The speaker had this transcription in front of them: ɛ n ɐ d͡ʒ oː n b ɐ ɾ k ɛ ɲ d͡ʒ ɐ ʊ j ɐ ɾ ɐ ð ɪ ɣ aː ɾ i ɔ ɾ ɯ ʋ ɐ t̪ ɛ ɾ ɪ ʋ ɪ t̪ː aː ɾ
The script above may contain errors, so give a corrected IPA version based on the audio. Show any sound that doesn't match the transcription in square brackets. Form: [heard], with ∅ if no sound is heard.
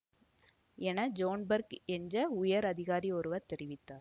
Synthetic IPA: ɛ n ɐ d͡ʒ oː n b ɐ ɾ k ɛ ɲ d͡ʒ ɐ ʊ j ɐ ɾ ɐ ð ɪ ɣ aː ɾ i ɔ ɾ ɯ ʋ ɐ t̪ ɛ ɾ ɪ ʋ ɪ t̪ː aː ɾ

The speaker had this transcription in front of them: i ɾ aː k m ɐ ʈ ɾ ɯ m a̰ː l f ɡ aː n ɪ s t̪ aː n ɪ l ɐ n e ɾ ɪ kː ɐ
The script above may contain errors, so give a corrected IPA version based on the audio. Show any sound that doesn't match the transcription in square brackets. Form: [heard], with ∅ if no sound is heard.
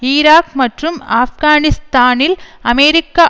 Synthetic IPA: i ɾ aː k m ɐ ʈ [r] ɯ m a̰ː [∅] f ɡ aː n ɪ s t̪ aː n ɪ l ɐ [m] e ɾ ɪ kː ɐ

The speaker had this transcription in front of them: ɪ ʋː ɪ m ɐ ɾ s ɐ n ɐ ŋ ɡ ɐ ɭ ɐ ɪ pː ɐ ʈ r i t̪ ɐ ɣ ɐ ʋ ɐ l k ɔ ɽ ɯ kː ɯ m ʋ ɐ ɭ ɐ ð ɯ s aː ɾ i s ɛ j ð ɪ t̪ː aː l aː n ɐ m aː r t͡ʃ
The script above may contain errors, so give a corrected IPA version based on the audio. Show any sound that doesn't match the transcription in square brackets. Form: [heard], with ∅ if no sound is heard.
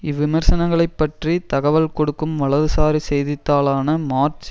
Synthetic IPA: ɪ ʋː ɪ m ɐ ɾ s ɐ n ɐ ŋ ɡ ɐ ɭ ɐ ɪ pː ɐ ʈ r i t̪ ɐ ɣ ɐ ʋ ɐ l k ɔ ɽ ɯ kː ɯ m ʋ ɐ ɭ ɐ ð ɯ s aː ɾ i s ɛ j ð ɪ t̪ː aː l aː n ɐ m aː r t͡ʃ

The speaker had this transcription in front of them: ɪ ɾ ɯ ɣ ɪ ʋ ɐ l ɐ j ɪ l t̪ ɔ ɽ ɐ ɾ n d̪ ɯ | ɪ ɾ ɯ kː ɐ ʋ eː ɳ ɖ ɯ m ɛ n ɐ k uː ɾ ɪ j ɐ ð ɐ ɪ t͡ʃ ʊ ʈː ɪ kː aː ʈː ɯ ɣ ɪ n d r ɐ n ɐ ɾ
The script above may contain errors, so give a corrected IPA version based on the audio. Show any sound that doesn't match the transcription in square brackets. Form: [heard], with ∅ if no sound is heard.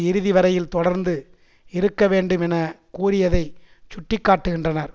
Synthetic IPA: ɪ ɾ ɯ [ð] ɪ ʋ ɐ [ɾ] ɐ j ɪ l t̪ ɔ ɽ ɐ ɾ n d̪ ɯ | ɪ ɾ ɯ kː ɐ ʋ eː ɳ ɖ ɯ m ɛ n ɐ k uː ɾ ɪ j ɐ ð ɐ ɪ t͡ʃ ʊ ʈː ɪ kː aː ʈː ɯ ɣ ɪ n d r ɐ n ɐ ɾ

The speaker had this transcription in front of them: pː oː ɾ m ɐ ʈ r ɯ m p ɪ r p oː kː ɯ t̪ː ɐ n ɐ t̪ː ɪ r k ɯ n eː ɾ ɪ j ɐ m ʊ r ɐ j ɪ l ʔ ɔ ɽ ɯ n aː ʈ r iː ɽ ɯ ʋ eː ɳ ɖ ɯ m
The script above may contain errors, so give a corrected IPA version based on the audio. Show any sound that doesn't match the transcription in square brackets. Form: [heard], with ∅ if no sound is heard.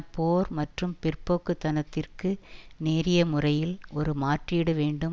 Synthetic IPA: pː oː ɾ m ɐ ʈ r ɯ m p ɪ r p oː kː ɯ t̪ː ɐ n ɐ t̪ː ɪ r k ɯ n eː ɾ ɪ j ɐ m ʊ r ɐ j ɪ l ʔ ɔ [ɾ] ɯ [m] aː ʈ r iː ɽ ɯ ʋ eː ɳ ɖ ɯ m

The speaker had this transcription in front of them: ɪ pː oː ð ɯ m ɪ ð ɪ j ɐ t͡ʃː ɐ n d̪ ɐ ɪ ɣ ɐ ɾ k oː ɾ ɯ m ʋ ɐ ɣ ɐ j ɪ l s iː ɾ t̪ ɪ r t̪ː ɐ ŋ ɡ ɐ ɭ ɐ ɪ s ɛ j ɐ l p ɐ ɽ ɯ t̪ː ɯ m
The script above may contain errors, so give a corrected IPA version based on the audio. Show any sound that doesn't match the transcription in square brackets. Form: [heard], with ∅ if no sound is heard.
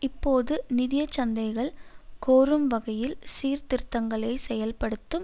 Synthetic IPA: ɪ pː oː ð ɯ [n] ɪ ð ɪ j ɐ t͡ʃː ɐ n d̪ ɐ ɪ ɣ ɐ [ɭ] k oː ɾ ɯ m ʋ ɐ ɣ ɐ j ɪ l s iː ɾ t̪ ɪ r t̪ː ɐ ŋ ɡ ɐ ɭ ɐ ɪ s ɛ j ɐ l p ɐ ɽ ɯ t̪ː ɯ m

